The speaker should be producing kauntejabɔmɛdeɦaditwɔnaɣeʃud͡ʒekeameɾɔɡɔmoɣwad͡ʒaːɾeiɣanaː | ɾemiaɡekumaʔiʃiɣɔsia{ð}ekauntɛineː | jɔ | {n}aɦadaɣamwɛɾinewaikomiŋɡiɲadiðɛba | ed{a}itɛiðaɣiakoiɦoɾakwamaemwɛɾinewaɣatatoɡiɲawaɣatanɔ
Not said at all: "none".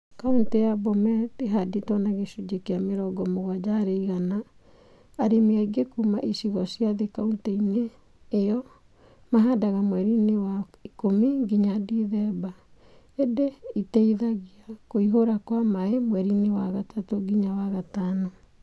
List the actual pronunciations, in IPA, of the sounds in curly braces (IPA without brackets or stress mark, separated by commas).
ð, m, e